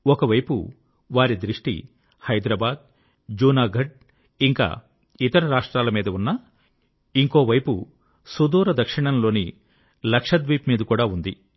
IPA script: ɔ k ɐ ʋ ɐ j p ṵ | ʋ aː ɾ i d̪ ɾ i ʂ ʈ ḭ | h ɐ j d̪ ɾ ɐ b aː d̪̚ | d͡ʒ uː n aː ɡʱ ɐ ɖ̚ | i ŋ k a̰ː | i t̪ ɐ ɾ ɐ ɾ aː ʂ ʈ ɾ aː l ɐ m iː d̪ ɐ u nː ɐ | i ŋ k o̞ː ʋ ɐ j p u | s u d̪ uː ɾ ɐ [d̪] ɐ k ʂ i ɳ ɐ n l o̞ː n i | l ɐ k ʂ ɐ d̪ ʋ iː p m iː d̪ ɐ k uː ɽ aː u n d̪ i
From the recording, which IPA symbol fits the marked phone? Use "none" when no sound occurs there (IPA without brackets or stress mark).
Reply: d̪